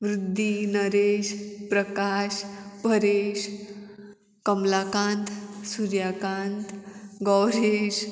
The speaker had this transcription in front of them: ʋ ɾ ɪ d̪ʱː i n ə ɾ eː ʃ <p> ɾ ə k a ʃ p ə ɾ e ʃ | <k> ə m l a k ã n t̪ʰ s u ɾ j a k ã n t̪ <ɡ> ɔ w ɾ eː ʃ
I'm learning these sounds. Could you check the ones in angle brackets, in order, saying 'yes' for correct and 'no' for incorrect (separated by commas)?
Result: yes, yes, yes